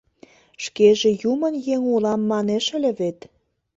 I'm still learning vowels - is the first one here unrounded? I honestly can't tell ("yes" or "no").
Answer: yes